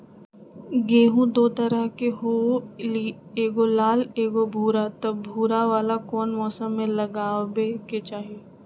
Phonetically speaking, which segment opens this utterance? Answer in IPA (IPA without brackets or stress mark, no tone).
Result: ɡ